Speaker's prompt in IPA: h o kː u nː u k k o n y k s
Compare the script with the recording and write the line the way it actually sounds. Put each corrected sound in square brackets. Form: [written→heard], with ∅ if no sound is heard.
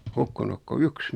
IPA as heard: h [o→u] kː u [nː→n] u k k o [n→∅] y k s